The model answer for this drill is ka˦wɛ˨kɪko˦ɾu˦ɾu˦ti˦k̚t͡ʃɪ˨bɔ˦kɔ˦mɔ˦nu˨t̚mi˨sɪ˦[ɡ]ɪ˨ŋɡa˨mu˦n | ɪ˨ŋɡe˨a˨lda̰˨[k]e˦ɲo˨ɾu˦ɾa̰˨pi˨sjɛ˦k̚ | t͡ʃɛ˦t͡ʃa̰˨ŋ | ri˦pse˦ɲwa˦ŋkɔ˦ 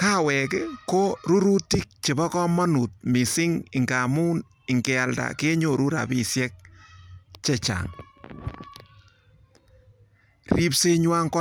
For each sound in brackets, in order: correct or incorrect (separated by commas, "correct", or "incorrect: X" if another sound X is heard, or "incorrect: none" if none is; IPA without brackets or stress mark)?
incorrect: ŋ, correct